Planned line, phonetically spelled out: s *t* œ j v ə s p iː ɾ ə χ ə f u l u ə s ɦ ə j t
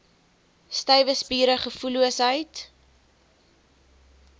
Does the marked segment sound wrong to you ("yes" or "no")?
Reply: no